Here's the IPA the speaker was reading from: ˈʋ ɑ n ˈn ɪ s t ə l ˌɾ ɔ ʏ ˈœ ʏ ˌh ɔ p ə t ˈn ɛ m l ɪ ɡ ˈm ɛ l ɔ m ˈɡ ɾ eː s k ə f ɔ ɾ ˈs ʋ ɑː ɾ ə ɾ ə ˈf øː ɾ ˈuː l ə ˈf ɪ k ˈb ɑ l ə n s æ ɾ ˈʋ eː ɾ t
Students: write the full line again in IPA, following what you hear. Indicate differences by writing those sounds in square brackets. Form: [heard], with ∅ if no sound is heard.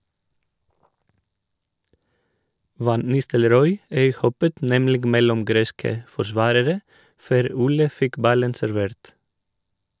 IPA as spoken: ˈʋ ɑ n ˈn ɪ s t ə l ˌɾ ɔ ʏ ˈœ ʏ ˌh ɔ p ə t ˈn ɛ m l ɪ ɡ ˈm ɛ l ɔ m ˈɡ ɾ eː s k ə f ɔ ɾ ˈs ʋ ɑː ɾ ə ɾ ə ˈf øː ɾ ˈuː l ə ˈf ɪ k ˈb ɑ l ə n s æ ɾ ˈʋ eː ɾ t